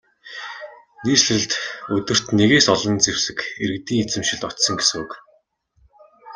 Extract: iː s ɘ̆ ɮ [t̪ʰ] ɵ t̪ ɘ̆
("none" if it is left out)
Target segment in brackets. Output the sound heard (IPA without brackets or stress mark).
t̪